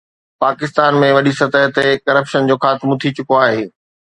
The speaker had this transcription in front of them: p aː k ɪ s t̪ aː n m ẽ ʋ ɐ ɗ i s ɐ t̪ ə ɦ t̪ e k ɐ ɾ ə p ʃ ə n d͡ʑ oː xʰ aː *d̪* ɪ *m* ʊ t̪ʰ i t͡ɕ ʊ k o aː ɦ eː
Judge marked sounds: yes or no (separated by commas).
no, yes